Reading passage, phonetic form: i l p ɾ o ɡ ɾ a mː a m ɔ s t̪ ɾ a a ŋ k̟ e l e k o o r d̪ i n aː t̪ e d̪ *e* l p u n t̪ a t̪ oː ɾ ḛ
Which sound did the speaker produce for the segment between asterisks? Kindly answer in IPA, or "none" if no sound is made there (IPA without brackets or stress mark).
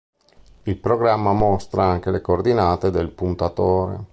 e